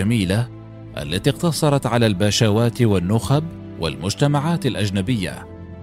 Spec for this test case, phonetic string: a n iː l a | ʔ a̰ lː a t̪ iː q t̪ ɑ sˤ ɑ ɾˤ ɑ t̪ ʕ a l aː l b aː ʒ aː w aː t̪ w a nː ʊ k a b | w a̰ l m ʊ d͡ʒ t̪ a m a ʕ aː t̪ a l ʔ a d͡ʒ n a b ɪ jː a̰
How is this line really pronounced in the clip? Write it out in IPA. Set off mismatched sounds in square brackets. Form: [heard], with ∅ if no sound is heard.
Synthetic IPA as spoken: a [m] iː l a | ʔ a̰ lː a t̪ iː q t̪ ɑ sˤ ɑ ɾˤ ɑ t̪ ʕ a l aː l b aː [ʃ] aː w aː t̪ w a nː ʊ [x] a b | w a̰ l m ʊ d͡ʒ t̪ a m a ʕ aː t̪ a l ʔ a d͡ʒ n a b ɪ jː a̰